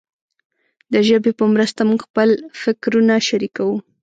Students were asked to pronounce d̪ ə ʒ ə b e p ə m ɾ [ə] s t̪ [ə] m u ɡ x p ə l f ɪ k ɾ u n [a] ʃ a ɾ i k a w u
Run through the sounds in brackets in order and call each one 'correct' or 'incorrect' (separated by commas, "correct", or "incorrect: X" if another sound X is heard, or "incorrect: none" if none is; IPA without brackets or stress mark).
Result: correct, incorrect: a, correct